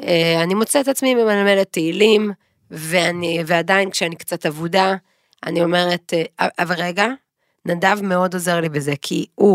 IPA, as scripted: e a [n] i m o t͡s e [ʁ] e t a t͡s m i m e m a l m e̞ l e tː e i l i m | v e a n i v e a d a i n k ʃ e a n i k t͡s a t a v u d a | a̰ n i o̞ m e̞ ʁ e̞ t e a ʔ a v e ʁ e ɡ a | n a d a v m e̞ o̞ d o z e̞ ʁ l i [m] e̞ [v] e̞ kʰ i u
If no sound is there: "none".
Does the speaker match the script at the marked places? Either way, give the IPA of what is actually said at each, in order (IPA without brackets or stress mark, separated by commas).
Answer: n, none, b, z